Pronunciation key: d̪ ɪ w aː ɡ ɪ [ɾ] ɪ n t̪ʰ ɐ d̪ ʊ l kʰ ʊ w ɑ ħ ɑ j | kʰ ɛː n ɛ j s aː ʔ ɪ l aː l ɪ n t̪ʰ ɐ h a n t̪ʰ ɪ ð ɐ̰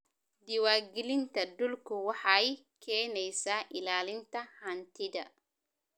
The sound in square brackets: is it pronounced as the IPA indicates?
no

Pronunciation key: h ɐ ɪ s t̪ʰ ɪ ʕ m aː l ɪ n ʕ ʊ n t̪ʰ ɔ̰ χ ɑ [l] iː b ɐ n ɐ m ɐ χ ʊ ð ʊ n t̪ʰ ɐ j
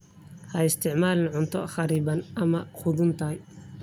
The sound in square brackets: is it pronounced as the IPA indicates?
no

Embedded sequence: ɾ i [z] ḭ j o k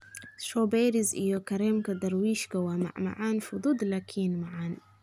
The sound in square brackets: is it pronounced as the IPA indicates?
yes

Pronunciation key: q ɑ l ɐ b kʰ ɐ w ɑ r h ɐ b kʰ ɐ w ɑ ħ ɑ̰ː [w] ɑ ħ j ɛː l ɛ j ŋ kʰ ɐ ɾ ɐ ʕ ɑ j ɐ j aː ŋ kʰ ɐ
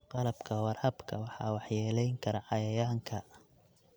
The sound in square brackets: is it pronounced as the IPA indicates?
yes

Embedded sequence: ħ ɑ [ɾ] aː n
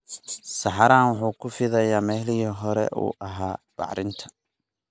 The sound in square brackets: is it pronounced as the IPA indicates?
yes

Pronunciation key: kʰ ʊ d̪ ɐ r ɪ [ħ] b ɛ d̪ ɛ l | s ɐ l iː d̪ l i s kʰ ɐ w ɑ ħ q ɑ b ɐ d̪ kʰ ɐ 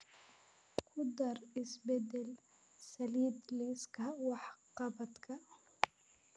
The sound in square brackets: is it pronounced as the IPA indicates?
no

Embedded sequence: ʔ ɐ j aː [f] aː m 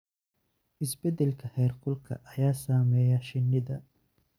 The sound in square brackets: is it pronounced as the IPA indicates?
no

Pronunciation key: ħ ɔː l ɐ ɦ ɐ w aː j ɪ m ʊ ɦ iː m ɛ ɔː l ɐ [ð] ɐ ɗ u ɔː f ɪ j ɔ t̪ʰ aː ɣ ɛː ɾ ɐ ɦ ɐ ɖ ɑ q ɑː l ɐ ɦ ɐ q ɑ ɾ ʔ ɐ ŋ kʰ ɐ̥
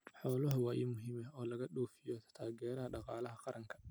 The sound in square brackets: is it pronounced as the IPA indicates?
no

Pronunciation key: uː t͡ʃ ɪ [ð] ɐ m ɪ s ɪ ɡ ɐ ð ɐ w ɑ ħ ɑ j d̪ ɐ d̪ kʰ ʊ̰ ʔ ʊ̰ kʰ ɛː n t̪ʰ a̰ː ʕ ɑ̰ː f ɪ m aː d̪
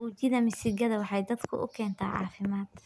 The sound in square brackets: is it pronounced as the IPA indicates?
yes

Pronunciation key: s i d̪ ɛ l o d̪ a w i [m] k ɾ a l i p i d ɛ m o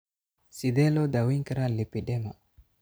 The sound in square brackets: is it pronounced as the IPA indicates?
no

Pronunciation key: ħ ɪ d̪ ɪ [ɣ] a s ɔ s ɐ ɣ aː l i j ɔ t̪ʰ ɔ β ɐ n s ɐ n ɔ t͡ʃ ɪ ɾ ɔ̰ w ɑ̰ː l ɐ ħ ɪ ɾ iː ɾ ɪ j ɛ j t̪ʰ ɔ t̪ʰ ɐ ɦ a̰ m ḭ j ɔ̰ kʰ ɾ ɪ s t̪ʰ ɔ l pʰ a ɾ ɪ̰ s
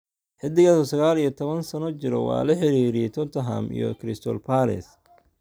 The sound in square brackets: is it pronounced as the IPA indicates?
yes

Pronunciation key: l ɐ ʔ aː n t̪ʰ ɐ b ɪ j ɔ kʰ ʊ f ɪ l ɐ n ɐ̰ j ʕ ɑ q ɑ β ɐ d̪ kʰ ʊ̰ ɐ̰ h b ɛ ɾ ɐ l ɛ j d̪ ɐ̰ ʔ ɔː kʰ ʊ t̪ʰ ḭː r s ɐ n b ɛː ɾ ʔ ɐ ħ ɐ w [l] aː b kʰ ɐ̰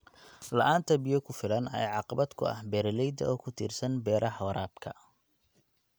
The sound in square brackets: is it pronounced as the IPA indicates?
no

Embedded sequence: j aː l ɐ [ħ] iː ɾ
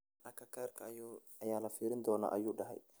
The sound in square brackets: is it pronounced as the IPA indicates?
no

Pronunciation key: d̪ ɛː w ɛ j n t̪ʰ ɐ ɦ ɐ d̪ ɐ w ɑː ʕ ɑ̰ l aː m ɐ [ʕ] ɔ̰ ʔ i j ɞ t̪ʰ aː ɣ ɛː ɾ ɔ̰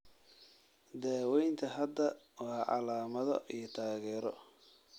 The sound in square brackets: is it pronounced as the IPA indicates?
no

